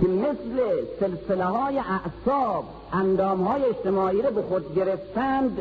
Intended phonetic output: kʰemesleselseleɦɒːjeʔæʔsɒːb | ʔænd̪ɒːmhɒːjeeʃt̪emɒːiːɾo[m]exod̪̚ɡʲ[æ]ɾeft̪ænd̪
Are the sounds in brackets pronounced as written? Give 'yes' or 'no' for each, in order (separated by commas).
no, no